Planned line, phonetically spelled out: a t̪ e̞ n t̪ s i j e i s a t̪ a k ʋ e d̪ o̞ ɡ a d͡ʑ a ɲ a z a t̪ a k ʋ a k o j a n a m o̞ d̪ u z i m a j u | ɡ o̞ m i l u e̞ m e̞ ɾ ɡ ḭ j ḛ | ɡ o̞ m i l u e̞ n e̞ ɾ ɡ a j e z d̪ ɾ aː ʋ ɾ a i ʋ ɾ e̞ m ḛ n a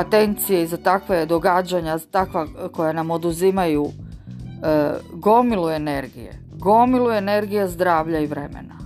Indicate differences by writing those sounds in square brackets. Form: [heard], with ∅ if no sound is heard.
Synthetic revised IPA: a t̪ e̞ n t̪ s i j e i [z] a t̪ a k ʋ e d̪ o̞ ɡ a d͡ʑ a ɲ a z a t̪ a k ʋ a k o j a n a m o̞ d̪ u z i m a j u | ɡ o̞ m i l u e̞ [n] e̞ ɾ ɡ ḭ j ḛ | ɡ o̞ m i l u e̞ n e̞ ɾ ɡ [i] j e z d̪ ɾ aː ʋ [ʎ] a i ʋ ɾ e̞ m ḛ n a